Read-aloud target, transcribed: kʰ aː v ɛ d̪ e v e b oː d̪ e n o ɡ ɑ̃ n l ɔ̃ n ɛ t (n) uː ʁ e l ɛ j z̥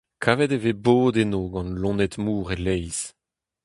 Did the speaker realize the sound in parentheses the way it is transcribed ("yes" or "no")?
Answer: no